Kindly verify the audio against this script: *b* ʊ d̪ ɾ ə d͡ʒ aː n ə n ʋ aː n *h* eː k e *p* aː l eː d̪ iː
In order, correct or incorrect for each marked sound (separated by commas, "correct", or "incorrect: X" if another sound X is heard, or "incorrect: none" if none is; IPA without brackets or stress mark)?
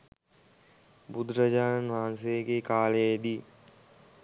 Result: correct, incorrect: s, incorrect: k